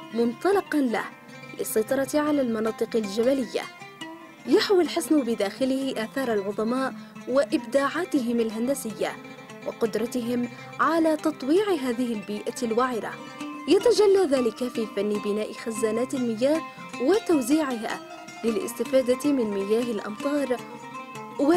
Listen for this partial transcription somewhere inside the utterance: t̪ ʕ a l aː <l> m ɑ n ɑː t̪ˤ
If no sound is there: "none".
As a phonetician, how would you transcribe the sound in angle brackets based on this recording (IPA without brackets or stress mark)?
l